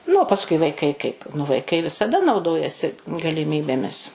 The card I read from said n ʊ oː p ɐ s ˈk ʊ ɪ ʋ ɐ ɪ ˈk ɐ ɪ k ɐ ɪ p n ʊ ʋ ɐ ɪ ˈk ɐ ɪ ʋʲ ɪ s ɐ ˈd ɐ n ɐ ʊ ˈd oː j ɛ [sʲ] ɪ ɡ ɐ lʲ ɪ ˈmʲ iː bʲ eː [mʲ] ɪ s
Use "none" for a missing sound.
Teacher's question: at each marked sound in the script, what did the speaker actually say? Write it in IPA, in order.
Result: sʲ, mʲ

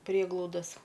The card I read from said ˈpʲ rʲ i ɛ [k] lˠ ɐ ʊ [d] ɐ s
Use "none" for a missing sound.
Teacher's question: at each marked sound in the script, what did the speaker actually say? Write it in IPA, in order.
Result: ɡ, d

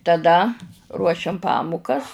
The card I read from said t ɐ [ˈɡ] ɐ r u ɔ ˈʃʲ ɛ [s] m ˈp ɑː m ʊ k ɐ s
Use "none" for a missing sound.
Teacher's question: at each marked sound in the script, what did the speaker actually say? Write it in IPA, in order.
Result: d, none

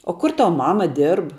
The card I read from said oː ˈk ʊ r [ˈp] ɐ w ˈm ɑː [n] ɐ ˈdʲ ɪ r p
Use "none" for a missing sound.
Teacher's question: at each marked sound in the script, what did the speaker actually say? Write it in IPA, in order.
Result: t, m

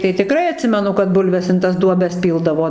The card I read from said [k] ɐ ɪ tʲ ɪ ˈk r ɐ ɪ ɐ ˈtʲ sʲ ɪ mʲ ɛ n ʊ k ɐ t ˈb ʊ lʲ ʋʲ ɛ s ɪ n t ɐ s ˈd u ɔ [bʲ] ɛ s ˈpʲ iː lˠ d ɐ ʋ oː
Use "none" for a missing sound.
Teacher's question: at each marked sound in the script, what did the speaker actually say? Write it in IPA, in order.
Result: t, bʲ

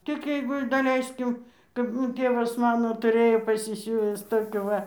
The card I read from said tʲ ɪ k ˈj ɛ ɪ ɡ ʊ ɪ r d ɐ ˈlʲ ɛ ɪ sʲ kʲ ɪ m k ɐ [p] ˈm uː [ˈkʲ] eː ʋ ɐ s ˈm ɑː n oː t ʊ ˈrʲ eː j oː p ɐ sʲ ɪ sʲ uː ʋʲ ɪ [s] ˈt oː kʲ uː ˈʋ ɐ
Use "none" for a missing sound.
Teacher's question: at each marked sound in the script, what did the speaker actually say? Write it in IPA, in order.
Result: p, tʲ, s

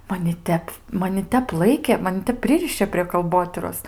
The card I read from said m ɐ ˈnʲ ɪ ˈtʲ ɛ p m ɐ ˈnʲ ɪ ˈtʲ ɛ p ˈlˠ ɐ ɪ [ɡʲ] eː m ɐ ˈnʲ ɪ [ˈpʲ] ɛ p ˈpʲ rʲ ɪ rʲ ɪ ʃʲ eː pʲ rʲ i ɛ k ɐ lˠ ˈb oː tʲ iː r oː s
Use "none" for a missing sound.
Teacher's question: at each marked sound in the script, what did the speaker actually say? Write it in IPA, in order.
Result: kʲ, tʲ

